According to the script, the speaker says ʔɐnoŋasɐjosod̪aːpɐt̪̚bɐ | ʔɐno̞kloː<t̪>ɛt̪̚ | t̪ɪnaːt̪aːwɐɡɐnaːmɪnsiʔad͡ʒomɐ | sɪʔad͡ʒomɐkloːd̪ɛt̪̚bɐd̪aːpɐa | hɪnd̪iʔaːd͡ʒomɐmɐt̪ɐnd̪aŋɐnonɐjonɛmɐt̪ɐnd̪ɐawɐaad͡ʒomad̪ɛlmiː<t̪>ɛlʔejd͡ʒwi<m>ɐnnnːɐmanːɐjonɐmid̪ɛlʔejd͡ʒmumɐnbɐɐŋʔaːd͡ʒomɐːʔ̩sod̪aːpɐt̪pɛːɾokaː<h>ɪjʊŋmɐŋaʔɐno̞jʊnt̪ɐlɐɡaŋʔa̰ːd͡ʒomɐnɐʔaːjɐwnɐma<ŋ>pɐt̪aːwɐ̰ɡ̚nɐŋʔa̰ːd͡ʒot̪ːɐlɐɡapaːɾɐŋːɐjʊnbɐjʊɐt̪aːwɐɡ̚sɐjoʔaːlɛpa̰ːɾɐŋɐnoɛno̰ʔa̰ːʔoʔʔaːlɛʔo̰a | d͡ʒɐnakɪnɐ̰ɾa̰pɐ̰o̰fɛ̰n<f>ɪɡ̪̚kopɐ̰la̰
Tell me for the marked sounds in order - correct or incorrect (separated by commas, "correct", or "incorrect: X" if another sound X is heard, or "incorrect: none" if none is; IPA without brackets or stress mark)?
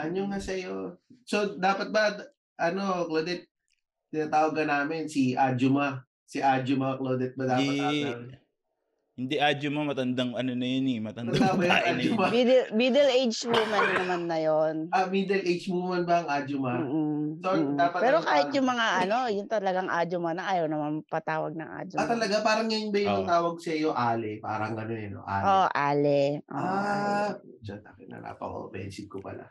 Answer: incorrect: d̪, incorrect: d̪, correct, correct, incorrect: n, incorrect: s